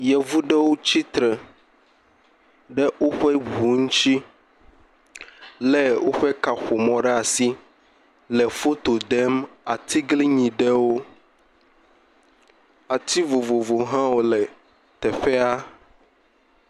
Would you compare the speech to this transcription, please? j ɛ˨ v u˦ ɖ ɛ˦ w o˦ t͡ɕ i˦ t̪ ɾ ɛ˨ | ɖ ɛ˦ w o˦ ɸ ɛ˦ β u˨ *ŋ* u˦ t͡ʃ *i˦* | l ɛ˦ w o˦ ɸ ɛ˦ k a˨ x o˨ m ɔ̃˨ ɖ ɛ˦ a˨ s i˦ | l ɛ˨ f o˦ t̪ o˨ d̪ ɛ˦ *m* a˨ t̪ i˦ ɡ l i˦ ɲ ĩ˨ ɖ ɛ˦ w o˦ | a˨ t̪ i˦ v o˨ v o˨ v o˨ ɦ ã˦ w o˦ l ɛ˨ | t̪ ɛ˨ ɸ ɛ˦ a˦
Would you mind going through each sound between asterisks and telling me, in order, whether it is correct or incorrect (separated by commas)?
correct, correct, correct